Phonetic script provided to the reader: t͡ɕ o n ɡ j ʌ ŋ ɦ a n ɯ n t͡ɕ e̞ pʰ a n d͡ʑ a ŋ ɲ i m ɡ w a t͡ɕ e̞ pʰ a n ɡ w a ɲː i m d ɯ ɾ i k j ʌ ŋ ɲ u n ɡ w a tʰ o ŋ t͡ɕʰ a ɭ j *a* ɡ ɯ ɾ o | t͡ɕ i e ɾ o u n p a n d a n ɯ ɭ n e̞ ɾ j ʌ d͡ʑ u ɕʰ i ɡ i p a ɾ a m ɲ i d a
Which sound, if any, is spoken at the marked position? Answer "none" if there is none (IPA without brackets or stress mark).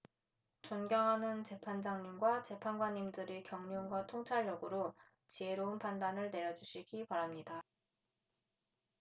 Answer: ʌ